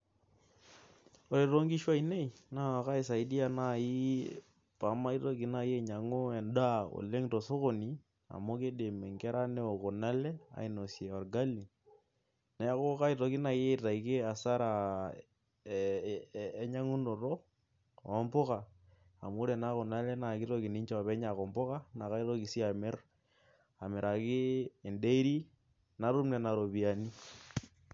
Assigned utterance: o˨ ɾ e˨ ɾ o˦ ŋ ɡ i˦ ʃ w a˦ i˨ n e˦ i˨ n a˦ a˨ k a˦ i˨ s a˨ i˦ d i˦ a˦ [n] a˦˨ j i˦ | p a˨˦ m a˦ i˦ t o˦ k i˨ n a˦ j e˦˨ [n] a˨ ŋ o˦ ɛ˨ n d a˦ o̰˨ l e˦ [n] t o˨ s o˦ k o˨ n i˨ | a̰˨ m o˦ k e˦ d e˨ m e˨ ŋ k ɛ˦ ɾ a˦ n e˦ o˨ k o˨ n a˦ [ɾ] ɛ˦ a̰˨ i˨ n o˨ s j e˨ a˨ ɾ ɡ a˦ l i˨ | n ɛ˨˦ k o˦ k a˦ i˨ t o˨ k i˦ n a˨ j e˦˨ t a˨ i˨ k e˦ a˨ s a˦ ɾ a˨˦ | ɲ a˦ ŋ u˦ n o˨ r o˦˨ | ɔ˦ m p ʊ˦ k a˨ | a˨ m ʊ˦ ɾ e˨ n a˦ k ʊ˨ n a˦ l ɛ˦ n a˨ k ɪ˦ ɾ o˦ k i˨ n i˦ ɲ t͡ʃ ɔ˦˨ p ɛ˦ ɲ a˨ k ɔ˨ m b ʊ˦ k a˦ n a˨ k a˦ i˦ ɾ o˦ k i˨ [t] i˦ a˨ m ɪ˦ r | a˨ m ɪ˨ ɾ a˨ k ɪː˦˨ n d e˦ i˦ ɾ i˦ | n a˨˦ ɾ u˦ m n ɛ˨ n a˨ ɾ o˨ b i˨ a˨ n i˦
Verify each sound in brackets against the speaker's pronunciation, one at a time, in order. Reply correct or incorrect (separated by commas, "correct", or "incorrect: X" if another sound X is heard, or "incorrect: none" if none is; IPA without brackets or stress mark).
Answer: correct, incorrect: ɲ, incorrect: ŋ, incorrect: l, incorrect: s